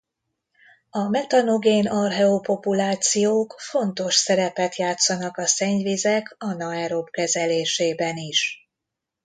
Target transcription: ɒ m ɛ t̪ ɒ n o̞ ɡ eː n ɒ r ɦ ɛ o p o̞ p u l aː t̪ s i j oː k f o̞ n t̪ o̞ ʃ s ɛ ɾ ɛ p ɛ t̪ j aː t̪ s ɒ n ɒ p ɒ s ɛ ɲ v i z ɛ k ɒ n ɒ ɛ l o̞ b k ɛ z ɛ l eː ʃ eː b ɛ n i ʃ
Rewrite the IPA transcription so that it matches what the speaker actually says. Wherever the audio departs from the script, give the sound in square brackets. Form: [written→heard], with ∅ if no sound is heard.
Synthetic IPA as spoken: ɒ m ɛ t̪ ɒ n o̞ ɡ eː n ɒ r ɦ ɛ o p o̞ p u l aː t̪ s i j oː k f o̞ n t̪ o̞ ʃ s ɛ ɾ ɛ p ɛ t̪ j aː t̪ s ɒ n ɒ [p→k] ɒ s ɛ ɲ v i z ɛ k ɒ n ɒ ɛ [l→ɾ] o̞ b k ɛ z ɛ l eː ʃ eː b ɛ n i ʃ

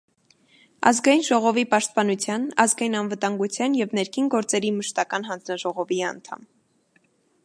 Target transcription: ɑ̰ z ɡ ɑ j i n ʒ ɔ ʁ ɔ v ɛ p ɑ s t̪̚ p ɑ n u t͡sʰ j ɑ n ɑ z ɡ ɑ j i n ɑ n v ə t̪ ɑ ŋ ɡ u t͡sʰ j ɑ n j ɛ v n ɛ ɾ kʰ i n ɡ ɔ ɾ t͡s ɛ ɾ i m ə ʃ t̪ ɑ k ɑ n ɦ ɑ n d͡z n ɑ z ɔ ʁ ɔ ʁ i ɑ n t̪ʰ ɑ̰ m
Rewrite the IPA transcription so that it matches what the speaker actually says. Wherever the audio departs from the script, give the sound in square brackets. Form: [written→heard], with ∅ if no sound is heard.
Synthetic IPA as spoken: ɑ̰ z ɡ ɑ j i n ʒ ɔ ʁ ɔ v [ɛ→i] p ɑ [s→ʃ] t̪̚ p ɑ n u t͡sʰ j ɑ n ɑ z ɡ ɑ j i n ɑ n v ə t̪ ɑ ŋ ɡ u t͡sʰ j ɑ n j ɛ v n ɛ ɾ kʰ i n ɡ ɔ ɾ t͡s ɛ ɾ i m ə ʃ t̪ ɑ k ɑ n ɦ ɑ n d͡z n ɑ [z→ʒ] ɔ ʁ ɔ [ʁ→v] i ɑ n t̪ʰ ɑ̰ m

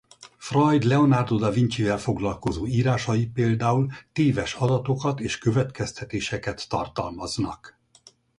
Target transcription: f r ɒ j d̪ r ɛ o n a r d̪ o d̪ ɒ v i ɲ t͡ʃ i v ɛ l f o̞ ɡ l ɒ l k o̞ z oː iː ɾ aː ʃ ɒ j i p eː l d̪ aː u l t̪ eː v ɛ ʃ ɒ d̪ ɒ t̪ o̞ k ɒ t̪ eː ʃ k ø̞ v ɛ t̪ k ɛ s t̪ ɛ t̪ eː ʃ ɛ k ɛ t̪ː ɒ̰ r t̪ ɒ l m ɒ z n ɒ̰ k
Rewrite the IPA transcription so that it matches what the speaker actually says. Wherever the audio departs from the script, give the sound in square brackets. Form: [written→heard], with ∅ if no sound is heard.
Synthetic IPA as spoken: f r ɒ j d̪ [r→l] ɛ o n a r d̪ o d̪ ɒ v i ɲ t͡ʃ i v ɛ l f o̞ ɡ l ɒ l k o̞ z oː iː ɾ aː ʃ ɒ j i p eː l d̪ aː u l t̪ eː v ɛ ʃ ɒ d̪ ɒ t̪ o̞ k ɒ t̪ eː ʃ k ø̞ v ɛ t̪ k ɛ s t̪ ɛ t̪ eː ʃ ɛ k ɛ t̪ː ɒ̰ r t̪ ɒ l m ɒ z n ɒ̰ k

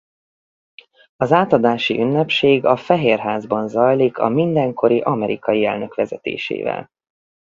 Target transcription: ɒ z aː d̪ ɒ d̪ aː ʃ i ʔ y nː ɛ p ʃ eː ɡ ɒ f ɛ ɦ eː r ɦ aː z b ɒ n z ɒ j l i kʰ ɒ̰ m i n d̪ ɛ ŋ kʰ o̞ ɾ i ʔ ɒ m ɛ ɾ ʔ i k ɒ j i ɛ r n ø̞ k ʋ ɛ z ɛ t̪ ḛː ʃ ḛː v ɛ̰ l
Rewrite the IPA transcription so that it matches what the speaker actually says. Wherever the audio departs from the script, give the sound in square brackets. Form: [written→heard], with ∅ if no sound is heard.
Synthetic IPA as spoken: ɒ z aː [d̪→t̪] ɒ d̪ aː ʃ i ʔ y nː ɛ p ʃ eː ɡ ɒ f ɛ ɦ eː r ɦ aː z b ɒ n z ɒ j l i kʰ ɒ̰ m i n d̪ ɛ ŋ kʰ o̞ ɾ i ʔ ɒ m ɛ ɾ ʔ i k ɒ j i ɛ [r→l] n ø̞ k ʋ ɛ z ɛ t̪ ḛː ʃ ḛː v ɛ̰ l

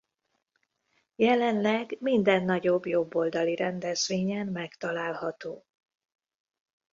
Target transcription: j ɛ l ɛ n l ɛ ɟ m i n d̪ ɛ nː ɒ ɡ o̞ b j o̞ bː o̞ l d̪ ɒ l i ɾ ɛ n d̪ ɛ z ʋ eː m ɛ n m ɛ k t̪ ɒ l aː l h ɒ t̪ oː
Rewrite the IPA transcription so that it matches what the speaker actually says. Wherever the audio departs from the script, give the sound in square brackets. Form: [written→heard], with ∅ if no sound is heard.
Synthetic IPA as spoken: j ɛ l ɛ n l ɛ [ɟ→ɡ] m i n d̪ ɛ nː ɒ [ɡ→ɟ] o̞ b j o̞ bː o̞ l d̪ ɒ l i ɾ ɛ n d̪ ɛ z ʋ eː [m→ɲ] ɛ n m ɛ k t̪ ɒ l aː l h ɒ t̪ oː

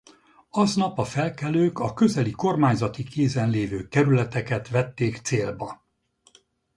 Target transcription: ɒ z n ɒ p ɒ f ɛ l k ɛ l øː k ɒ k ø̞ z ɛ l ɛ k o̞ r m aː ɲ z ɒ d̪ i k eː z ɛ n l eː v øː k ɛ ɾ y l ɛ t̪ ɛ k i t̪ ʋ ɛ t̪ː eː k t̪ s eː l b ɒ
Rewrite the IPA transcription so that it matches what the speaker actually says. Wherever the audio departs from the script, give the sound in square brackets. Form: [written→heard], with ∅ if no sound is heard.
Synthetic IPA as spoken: ɒ z n ɒ p ɒ f ɛ l k ɛ l øː k ɒ k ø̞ z ɛ l [ɛ→i] k o̞ r m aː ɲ z ɒ [d̪→t̪] i k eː z ɛ n l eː v øː k ɛ ɾ y l ɛ t̪ ɛ k [i→ɛ] t̪ ʋ ɛ t̪ː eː k t̪ s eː l b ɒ

